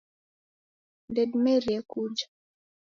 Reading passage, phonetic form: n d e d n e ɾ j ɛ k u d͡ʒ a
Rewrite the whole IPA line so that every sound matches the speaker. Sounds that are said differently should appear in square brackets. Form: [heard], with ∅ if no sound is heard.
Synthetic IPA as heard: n d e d [m] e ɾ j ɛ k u d͡ʒ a

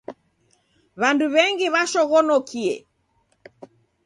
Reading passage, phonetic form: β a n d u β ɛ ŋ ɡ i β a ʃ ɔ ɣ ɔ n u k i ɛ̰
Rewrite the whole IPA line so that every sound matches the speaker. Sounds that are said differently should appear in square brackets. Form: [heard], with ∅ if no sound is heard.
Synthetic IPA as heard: β a n d u β ɛ ŋ ɡ i β a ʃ ɔ ɣ ɔ n [ɔ] k i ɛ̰

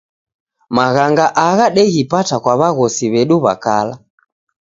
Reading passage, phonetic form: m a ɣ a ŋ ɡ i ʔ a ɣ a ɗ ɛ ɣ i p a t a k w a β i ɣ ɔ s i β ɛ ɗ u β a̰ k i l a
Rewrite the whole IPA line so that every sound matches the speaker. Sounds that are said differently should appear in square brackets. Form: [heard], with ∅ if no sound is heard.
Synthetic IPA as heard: m a ɣ a ŋ ɡ [a] ʔ a ɣ a ɗ ɛ ɣ i p a t a k w a β [a] ɣ ɔ s i β ɛ ɗ u β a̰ k [a] l a

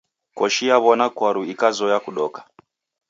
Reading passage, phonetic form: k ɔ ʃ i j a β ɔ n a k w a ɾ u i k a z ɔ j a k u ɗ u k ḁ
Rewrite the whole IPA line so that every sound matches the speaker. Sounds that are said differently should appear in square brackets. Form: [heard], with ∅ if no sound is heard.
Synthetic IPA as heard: k ɔ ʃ i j a β ɔ n a k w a ɾ u i k a z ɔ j a k u ɗ [ɔ] k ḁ

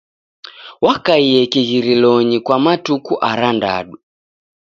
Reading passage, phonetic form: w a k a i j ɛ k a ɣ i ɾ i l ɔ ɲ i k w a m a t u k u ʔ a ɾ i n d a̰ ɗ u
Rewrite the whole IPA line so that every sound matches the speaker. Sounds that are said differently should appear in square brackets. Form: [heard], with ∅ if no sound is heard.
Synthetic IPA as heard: w a k a i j ɛ k [i] ɣ i ɾ i l ɔ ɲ i k w a m a t u k u ʔ a ɾ [a] n d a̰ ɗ u

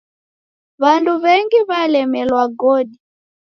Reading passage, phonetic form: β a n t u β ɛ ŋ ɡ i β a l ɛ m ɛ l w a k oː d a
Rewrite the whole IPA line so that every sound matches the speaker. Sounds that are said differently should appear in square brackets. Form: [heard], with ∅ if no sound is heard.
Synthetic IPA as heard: β a n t u β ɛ ŋ ɡ i β a l ɛ m ɛ l w a [ɡ] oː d [i]

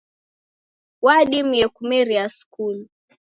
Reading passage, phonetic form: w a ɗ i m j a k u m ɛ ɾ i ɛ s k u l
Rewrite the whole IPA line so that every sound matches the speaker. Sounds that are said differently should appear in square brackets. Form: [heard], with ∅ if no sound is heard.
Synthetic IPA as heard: w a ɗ i m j [ɛ] k u m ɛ ɾ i [a] s k u l

